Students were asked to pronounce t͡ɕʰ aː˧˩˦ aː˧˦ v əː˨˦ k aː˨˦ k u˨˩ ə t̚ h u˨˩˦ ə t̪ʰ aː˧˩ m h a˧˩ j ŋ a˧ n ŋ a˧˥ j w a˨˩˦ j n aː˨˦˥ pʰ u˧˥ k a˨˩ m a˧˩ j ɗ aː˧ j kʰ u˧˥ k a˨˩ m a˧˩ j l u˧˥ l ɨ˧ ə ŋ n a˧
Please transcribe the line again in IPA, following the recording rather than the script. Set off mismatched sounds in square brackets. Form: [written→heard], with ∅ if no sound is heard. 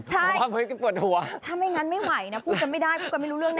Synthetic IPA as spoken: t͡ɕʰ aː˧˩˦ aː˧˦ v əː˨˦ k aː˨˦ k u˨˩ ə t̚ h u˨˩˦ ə t̪ʰ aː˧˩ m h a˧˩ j ŋ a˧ n [ŋ→m] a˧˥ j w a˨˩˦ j n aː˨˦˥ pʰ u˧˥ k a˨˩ m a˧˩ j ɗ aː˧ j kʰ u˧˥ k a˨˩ m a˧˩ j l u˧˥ l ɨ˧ ə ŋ n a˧

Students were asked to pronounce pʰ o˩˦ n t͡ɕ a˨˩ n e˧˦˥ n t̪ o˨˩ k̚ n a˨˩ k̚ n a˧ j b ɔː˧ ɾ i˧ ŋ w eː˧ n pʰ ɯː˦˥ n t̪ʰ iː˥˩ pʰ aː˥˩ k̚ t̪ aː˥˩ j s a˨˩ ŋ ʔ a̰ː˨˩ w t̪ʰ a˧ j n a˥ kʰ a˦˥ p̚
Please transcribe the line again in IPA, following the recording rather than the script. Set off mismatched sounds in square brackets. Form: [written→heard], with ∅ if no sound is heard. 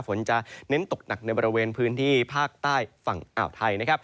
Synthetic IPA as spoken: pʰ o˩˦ n t͡ɕ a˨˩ n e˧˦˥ n t̪ o˨˩ k̚ n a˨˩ k̚ n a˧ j b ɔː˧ ɾ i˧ [ŋ→∅] w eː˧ n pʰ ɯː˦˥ n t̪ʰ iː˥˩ pʰ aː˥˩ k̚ t̪ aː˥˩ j [s→f] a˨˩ ŋ ʔ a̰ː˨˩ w t̪ʰ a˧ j n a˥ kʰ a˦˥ p̚

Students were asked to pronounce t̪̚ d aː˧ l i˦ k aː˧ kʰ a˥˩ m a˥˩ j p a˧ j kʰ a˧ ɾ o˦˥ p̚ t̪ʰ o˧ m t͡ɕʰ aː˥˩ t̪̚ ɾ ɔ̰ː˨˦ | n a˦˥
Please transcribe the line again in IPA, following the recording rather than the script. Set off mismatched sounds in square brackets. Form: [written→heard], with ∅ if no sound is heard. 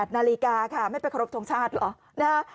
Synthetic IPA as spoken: t̪̚ [d→n] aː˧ l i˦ k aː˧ kʰ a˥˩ m a˥˩ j p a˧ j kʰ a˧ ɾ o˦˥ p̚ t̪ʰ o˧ [m→ŋ] t͡ɕʰ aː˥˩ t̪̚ [ɾ→l] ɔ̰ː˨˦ | n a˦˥

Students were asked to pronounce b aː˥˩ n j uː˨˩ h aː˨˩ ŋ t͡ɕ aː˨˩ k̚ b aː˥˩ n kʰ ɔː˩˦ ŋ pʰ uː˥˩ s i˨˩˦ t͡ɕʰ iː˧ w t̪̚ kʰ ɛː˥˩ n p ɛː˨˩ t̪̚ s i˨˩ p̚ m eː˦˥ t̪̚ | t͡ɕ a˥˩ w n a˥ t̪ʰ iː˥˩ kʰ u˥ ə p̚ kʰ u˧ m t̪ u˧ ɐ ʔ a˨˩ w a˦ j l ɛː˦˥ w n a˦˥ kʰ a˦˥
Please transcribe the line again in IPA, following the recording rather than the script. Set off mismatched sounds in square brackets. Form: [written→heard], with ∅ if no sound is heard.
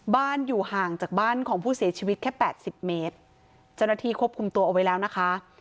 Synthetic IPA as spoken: b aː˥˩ n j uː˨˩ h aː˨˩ ŋ t͡ɕ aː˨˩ k̚ b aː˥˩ n kʰ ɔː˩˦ ŋ pʰ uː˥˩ s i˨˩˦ t͡ɕʰ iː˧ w t̪̚ kʰ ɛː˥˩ [n→∅] p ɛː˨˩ t̪̚ s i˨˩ p̚ m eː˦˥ t̪̚ | t͡ɕ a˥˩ w n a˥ t̪ʰ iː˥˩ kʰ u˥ ə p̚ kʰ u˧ m t̪ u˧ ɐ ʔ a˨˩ w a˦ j l ɛː˦˥ w n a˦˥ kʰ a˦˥

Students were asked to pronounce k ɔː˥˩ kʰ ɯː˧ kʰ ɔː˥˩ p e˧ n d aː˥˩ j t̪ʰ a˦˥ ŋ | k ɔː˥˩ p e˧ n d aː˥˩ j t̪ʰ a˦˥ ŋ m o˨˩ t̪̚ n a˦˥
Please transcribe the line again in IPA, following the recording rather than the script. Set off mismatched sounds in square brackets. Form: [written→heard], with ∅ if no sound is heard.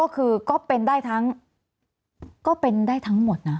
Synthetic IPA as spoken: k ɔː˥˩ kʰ ɯː˧ [kʰ→k] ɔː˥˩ p e˧ n d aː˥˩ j t̪ʰ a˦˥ ŋ | k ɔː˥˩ p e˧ n d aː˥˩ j t̪ʰ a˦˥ ŋ m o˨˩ t̪̚ n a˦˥

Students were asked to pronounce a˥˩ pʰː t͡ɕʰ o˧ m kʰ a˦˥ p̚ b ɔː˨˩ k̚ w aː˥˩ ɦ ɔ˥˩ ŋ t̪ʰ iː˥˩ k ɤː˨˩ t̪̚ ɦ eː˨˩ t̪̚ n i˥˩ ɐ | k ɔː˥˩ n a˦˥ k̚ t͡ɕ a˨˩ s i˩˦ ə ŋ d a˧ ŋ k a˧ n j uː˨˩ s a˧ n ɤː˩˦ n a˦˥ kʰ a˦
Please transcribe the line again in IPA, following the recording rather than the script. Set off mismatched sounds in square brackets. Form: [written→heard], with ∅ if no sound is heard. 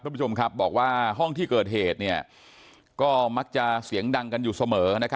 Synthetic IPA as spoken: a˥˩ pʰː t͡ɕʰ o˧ m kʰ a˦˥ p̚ b ɔː˨˩ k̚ w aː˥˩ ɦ ɔ˥˩ ŋ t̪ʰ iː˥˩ k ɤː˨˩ t̪̚ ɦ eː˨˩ t̪̚ n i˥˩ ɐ | k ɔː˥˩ [n→m] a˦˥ k̚ t͡ɕ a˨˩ s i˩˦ ə ŋ d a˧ ŋ k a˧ n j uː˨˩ s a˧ [n→m] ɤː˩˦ n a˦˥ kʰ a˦

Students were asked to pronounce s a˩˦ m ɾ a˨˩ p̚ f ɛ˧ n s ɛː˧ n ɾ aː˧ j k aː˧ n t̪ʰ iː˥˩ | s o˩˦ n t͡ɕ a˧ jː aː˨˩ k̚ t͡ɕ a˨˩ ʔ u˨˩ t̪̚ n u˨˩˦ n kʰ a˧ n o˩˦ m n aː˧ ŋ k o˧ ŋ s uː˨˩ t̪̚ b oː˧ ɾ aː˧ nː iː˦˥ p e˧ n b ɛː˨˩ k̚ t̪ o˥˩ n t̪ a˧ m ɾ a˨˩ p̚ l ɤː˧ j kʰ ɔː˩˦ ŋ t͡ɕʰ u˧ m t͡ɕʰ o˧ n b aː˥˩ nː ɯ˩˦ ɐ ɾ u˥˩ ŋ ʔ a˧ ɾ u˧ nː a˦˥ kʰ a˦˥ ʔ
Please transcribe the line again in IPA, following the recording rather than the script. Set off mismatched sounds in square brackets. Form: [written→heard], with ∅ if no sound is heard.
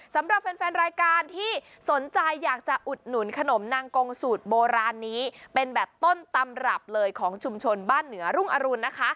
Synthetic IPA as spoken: s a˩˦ m ɾ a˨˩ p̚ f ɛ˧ n [s→f] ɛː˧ n ɾ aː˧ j k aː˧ n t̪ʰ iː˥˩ | s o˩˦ n t͡ɕ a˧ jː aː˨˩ k̚ t͡ɕ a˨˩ ʔ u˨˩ t̪̚ n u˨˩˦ n kʰ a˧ n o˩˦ m n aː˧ ŋ k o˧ ŋ s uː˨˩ t̪̚ b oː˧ ɾ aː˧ nː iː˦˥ p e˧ n b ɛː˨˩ [k̚→p̚] t̪ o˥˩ n t̪ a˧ m ɾ a˨˩ p̚ l ɤː˧ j kʰ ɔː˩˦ ŋ t͡ɕʰ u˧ m t͡ɕʰ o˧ n b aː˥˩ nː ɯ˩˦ ɐ ɾ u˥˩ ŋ ʔ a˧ ɾ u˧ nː a˦˥ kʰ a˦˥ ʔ

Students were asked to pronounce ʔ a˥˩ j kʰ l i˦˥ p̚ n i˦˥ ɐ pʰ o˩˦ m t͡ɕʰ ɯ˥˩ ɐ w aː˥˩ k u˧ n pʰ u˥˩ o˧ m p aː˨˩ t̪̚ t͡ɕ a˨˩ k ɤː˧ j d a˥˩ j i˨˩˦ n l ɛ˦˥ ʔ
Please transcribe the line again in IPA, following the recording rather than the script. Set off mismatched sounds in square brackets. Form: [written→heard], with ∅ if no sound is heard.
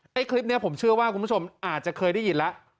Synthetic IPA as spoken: ʔ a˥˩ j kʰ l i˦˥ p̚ n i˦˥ ɐ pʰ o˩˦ m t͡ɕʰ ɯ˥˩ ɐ w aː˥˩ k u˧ n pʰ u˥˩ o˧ m [p→ʔ] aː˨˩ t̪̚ t͡ɕ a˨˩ [k→kʰ] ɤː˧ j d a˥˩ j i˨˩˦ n l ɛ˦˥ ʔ

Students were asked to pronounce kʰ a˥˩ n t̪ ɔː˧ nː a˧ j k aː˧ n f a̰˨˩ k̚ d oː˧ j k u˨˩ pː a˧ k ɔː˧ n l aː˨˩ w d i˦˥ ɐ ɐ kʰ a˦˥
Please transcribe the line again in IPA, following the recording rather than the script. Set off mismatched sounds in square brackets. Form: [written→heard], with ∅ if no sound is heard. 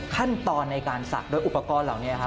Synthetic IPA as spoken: kʰ a˥˩ n t̪ ɔː˧ nː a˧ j k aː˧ n [f→s] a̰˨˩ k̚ d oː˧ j [k→ʔ] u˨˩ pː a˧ k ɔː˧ n l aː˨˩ w [d→n] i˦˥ ɐ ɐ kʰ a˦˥

